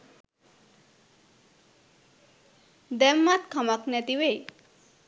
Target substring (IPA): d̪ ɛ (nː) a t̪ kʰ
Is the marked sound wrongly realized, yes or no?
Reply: yes